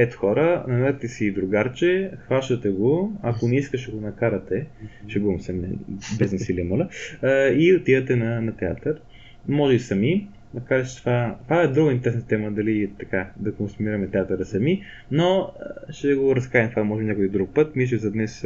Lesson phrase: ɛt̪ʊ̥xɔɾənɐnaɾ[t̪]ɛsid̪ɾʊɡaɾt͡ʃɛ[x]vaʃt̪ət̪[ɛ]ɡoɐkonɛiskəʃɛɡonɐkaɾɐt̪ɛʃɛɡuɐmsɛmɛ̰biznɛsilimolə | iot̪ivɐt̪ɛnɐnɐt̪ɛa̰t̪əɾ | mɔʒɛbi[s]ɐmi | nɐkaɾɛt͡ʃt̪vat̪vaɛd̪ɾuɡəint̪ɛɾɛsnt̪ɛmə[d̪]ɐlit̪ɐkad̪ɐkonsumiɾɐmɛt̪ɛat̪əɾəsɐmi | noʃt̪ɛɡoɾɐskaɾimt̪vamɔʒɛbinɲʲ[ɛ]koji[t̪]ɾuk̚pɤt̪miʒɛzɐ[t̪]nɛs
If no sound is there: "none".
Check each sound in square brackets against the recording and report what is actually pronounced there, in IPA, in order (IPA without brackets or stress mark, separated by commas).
t̪, x, ɛ, s, d̪, a, d̪, d̪